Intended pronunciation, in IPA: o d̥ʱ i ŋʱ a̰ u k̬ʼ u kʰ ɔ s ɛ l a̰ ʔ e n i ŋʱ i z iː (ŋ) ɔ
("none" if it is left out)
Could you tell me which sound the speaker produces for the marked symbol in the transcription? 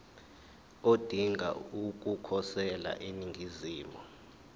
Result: m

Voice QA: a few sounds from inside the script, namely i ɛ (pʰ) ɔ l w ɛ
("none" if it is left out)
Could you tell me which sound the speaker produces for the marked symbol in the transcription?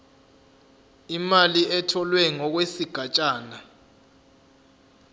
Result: tʰ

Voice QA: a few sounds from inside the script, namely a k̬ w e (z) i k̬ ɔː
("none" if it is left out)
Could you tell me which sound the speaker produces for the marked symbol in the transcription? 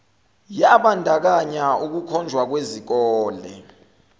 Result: z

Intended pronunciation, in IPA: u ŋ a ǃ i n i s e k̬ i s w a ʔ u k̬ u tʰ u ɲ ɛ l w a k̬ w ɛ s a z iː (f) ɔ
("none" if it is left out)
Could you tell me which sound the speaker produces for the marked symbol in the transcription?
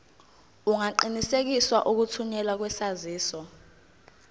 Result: s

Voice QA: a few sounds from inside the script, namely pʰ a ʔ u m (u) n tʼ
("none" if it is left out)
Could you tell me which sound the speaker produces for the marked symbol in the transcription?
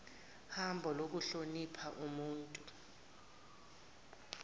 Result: uː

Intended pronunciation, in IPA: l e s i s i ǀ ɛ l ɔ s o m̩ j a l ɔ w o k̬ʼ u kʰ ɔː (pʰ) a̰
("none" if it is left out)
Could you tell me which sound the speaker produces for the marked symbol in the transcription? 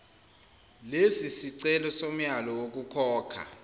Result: kʰ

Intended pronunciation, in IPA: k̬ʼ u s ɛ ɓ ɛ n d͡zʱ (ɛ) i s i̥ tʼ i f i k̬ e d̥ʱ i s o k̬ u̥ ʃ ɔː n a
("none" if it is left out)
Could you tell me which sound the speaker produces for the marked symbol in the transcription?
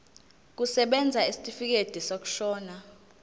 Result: a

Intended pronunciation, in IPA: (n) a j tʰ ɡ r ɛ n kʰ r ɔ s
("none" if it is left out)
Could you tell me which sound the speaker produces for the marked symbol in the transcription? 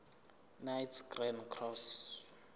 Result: n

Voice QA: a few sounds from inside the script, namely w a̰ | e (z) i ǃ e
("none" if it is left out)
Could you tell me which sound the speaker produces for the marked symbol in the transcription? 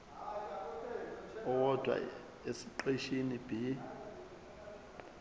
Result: s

